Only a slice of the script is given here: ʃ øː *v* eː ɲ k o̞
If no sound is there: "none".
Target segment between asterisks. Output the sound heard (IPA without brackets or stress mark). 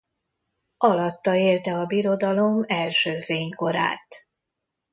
f